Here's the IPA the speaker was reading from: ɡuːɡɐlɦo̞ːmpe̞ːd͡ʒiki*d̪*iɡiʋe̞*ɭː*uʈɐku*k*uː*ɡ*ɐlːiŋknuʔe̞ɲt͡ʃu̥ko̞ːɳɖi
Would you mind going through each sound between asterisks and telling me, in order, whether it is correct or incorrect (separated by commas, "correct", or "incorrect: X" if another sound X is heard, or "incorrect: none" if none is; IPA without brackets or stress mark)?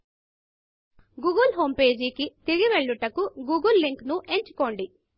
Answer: incorrect: t̪, correct, incorrect: ɡ, correct